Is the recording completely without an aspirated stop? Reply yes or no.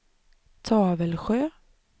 no